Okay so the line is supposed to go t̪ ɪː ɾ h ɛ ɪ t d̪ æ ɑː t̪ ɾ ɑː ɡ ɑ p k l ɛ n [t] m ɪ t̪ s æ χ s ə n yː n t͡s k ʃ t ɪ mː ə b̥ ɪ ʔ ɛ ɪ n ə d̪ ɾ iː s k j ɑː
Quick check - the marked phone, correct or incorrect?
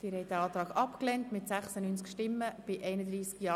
correct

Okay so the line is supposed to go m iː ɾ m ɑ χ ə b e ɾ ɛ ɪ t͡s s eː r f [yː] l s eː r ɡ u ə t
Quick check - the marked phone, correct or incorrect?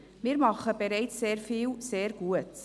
incorrect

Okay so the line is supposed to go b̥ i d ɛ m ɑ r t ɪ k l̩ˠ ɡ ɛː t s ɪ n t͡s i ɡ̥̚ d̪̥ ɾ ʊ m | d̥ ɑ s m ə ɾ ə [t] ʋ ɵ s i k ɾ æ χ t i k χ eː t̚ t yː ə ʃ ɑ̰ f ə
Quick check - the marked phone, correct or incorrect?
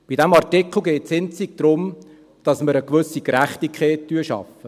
incorrect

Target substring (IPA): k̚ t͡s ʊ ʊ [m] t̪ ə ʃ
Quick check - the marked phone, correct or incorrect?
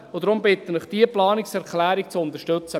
incorrect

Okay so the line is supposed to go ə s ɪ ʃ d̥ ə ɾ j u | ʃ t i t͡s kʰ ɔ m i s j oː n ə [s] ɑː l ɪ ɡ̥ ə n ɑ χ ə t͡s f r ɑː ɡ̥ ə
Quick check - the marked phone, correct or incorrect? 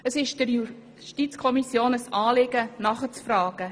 correct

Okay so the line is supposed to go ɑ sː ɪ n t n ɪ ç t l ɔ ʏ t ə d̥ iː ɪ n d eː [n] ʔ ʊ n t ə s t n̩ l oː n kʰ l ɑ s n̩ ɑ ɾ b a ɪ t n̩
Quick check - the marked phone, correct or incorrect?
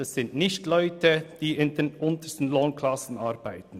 correct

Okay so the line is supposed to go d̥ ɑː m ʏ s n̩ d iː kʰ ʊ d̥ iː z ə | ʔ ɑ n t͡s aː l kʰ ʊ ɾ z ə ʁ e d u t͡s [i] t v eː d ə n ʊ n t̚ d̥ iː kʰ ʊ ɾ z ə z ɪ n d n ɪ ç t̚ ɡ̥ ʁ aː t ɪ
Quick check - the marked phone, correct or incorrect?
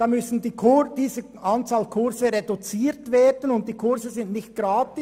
incorrect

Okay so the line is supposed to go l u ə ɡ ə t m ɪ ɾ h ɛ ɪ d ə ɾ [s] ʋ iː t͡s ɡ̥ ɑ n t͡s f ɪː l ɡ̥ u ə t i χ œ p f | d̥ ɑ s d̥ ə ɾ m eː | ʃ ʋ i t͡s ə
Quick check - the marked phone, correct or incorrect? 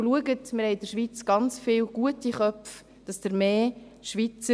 incorrect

